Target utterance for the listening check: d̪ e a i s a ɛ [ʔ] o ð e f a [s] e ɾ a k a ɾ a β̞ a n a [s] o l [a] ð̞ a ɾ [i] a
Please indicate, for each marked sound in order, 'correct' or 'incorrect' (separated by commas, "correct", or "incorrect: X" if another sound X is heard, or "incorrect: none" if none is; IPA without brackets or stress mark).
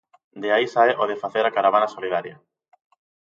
correct, incorrect: θ, correct, incorrect: i, incorrect: j